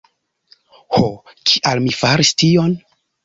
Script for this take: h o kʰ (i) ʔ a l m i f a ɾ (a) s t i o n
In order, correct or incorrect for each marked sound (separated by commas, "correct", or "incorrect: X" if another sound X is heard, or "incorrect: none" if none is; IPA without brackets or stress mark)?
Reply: correct, incorrect: i